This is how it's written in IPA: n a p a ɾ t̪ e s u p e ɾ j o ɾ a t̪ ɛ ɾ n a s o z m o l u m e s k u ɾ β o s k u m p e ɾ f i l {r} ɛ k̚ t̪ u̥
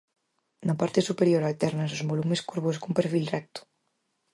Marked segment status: correct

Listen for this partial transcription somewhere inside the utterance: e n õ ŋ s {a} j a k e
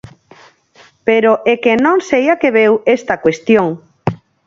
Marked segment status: incorrect: e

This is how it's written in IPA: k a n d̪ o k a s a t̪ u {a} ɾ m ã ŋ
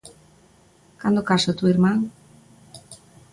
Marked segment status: incorrect: i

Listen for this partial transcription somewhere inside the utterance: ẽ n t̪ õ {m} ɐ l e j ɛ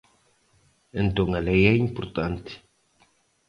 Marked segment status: incorrect: ŋ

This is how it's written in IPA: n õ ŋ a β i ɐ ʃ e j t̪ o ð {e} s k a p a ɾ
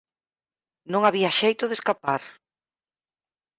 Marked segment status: correct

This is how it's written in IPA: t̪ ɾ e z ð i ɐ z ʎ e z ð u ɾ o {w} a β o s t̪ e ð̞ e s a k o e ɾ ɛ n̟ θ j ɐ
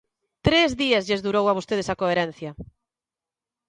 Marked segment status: correct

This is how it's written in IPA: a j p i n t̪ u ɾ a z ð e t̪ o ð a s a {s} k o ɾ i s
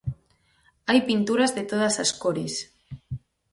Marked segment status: correct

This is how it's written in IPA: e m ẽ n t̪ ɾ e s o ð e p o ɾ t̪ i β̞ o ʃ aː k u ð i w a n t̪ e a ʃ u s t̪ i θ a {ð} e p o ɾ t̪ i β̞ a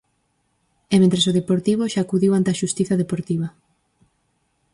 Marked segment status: correct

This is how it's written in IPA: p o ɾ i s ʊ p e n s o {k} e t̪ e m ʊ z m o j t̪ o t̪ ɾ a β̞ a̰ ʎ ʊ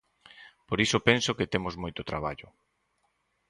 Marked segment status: correct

